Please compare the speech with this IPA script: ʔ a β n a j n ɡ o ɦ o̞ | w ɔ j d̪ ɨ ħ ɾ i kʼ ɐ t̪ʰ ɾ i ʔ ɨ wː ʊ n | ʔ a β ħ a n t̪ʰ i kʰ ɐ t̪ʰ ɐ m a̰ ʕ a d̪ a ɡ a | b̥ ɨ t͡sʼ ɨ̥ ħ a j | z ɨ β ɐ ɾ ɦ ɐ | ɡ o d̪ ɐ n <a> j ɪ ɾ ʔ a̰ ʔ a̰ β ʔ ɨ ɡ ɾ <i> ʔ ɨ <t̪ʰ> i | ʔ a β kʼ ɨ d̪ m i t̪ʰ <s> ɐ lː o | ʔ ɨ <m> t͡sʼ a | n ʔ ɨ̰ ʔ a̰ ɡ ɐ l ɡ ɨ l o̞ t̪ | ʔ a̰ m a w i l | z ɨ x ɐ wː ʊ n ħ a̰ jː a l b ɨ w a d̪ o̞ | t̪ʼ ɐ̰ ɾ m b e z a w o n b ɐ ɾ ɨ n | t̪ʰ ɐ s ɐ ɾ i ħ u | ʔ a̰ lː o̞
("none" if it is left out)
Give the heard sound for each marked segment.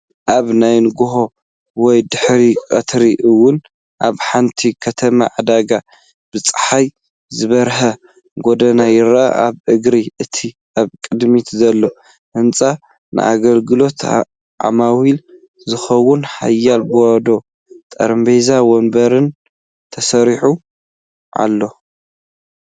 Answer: a, i, t̪ʰ, z, n

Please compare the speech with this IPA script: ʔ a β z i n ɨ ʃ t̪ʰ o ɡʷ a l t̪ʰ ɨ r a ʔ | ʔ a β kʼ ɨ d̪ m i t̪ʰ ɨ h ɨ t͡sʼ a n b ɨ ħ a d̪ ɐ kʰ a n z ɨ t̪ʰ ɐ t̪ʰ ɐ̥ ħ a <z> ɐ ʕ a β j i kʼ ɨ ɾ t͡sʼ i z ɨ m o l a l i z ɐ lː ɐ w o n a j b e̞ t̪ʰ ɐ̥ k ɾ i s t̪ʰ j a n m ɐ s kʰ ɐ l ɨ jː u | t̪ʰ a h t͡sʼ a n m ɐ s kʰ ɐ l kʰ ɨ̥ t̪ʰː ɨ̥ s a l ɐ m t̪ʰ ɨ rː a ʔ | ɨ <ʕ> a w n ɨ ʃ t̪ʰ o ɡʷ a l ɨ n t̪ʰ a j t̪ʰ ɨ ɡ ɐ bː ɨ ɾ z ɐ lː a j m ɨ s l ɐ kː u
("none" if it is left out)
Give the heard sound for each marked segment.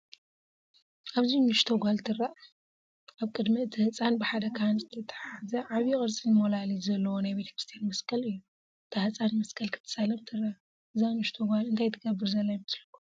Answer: z, z

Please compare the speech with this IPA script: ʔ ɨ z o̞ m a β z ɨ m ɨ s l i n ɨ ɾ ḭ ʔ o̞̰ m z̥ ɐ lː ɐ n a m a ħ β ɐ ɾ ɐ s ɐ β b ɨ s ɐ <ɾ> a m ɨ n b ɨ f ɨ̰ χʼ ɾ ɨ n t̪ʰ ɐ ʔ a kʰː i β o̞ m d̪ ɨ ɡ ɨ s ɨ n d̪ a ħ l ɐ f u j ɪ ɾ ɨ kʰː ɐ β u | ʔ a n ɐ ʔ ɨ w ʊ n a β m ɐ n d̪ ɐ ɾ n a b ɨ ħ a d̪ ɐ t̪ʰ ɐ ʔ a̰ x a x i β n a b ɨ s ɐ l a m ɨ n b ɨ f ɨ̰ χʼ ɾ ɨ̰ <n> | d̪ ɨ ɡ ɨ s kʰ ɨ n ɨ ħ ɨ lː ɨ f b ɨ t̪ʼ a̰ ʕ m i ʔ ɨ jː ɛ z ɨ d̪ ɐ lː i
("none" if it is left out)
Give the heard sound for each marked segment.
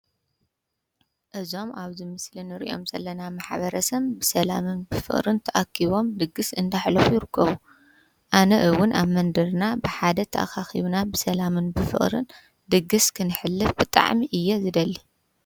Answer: l, n

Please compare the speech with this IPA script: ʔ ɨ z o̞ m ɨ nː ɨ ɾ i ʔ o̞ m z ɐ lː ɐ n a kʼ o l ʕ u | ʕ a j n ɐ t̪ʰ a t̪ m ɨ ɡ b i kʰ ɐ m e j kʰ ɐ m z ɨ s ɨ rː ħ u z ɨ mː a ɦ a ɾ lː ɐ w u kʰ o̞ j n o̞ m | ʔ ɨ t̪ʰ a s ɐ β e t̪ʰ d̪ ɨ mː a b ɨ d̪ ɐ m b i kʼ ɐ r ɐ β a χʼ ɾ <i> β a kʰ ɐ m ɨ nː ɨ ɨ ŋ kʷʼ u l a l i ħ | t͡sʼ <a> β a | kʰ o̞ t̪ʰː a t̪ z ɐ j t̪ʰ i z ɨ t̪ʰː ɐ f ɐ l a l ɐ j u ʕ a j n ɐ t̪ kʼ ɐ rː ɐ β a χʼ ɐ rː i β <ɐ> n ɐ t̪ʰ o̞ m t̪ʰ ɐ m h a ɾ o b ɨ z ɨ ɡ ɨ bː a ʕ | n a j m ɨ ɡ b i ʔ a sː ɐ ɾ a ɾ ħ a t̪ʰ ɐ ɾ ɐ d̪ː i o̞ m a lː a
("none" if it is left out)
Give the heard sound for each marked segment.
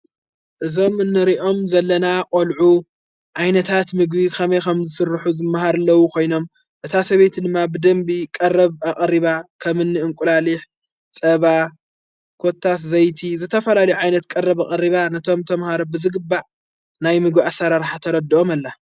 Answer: i, ɐ, a

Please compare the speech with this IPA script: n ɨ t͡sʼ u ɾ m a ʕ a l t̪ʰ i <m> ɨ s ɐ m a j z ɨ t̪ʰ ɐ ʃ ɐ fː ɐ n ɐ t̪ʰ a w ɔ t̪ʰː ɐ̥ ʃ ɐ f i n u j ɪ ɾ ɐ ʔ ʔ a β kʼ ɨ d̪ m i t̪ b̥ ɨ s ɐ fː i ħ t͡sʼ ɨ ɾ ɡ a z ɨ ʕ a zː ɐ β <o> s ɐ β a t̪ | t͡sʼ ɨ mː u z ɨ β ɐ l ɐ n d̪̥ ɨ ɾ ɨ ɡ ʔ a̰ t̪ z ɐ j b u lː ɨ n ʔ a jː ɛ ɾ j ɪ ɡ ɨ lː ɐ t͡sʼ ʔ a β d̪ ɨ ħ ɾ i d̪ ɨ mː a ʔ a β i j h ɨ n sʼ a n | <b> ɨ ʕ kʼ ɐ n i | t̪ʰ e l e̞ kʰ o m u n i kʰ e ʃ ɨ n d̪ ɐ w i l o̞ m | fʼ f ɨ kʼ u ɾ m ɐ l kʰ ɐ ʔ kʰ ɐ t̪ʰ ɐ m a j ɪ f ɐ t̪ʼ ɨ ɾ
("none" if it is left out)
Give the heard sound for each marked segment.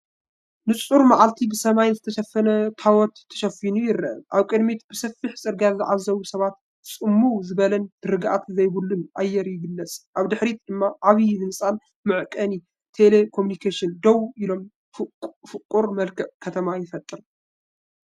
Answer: b, u, m

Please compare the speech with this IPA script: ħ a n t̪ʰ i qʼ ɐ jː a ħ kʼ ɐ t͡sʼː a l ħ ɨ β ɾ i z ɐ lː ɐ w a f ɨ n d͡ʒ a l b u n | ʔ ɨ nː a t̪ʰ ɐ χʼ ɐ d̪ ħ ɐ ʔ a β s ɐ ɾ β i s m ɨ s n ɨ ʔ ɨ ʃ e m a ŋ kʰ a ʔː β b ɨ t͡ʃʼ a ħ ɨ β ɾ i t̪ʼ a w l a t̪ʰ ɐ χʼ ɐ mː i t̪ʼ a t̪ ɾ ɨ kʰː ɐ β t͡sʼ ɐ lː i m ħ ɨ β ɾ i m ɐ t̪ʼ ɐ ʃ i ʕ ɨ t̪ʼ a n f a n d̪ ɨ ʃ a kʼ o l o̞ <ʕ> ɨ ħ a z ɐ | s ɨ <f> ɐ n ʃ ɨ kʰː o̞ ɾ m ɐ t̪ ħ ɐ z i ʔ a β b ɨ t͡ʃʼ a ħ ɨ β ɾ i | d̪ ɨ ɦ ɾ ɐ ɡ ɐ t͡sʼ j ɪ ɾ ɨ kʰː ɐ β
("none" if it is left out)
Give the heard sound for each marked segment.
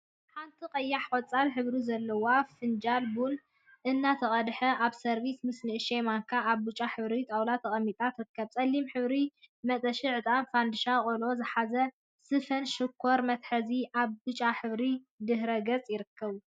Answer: z, f

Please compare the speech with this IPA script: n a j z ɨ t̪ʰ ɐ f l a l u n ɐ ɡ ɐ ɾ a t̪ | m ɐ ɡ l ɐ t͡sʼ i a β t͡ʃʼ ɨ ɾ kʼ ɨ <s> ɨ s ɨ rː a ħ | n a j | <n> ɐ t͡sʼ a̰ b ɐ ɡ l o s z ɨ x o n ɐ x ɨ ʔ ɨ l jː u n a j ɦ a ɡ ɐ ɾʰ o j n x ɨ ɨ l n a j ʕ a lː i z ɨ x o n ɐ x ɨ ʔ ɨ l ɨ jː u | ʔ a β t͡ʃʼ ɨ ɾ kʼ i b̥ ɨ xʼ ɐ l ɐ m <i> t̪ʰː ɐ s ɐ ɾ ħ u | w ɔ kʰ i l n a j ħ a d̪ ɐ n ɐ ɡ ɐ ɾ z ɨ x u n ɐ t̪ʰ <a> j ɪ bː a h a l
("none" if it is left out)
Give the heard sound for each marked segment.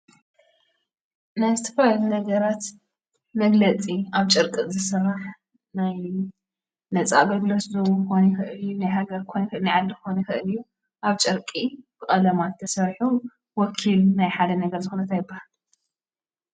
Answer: z, n, a, a

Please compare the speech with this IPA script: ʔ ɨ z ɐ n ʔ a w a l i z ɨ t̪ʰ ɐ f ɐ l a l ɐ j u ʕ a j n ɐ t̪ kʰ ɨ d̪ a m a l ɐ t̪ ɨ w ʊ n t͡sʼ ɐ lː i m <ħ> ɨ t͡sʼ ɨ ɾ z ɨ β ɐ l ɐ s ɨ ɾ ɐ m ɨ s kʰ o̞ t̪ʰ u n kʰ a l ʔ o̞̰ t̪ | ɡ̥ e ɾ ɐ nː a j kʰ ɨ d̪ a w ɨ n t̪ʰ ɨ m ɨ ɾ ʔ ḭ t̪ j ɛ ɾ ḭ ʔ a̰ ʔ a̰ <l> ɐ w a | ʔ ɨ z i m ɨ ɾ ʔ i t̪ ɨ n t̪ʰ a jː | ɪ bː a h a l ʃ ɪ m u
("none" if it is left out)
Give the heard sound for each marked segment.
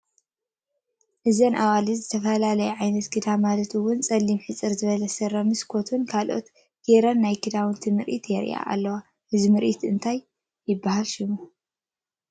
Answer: ħ, lː

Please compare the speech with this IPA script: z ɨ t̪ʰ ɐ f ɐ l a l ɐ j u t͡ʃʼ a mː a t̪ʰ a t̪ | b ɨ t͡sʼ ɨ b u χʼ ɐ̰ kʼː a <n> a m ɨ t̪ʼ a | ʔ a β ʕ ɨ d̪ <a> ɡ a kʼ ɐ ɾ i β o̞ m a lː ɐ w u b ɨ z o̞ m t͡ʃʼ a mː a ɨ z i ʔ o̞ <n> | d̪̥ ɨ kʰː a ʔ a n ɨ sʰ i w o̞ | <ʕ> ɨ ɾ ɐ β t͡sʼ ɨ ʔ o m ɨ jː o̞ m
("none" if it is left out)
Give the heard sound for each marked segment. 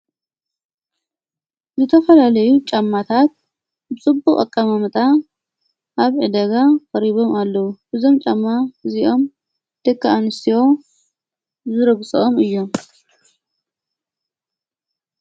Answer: m, ɐ, m, z

